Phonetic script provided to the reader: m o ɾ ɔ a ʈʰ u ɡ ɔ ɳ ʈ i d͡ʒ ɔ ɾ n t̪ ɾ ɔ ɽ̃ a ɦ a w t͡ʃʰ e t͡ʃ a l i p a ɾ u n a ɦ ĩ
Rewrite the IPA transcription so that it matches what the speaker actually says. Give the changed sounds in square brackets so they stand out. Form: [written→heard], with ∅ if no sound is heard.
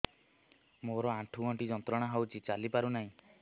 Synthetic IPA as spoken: m o ɾ ɔ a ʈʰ u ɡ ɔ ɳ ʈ i d͡ʒ ɔ [ɾ→∅] n t̪ ɾ ɔ ɽ̃ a ɦ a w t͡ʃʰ [e→i] t͡ʃ a l i p a ɾ u n a ɦ ĩ